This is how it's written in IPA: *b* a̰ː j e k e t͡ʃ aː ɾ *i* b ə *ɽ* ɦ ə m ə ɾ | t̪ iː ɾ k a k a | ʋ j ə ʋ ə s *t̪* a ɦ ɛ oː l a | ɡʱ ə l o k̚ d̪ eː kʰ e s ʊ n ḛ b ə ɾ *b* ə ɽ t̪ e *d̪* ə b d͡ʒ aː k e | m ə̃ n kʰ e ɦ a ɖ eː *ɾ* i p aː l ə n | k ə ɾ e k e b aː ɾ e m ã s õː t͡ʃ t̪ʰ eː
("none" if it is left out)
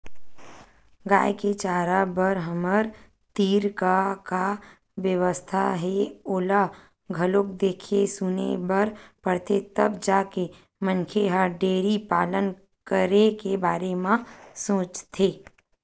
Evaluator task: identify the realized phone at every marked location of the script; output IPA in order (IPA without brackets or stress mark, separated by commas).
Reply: ɡ, a, ɾ, t̪ʰ, p, t̪, ɾ